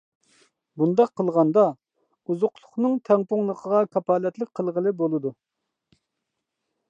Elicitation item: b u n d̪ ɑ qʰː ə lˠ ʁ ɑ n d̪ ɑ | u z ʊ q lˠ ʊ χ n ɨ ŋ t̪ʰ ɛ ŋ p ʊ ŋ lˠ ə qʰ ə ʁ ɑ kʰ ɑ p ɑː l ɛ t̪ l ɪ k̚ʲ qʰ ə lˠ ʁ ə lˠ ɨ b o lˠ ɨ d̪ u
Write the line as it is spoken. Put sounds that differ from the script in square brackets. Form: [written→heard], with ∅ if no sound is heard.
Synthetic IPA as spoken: b u n d̪ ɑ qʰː ə lˠ ʁ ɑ n d̪ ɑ | u z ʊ q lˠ ʊ χ n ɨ ŋ t̪ʰ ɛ ŋ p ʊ ŋ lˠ ə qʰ ə ʁ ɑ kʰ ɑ p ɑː l ɛ t̪ l ɪ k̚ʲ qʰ ə lˠ ʁ ə lˠ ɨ b o lˠ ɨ d̪ u